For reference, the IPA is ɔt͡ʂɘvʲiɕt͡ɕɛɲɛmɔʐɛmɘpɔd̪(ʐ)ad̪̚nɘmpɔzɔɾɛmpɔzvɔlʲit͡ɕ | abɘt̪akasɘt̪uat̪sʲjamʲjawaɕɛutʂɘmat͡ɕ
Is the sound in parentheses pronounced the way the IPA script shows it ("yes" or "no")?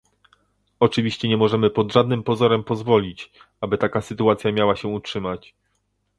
yes